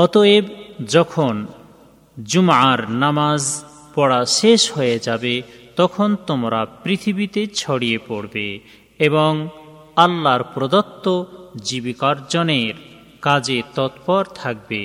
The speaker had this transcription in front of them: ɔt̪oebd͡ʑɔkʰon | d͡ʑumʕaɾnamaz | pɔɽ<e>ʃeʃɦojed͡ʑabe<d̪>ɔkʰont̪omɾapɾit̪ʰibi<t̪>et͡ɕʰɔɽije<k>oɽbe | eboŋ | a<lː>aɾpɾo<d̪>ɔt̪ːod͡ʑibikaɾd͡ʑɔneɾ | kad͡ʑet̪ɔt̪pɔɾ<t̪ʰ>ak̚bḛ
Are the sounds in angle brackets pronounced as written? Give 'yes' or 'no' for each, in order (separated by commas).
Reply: no, no, yes, no, yes, yes, yes